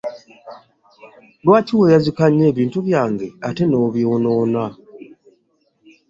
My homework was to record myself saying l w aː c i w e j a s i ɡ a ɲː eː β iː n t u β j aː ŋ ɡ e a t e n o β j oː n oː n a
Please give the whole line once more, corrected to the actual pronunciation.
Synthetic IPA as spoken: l w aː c i w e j a z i k a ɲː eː β iː n t u β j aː ŋ ɡ e a t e n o β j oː n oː n a